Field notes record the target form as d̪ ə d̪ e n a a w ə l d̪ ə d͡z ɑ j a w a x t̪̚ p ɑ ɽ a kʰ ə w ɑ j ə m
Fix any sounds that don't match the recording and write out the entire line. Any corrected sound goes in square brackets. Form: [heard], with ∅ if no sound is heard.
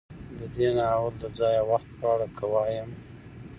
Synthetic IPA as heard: d̪ ə d̪ e n a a w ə l d̪ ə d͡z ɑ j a w a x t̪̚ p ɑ ɽ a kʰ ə w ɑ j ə m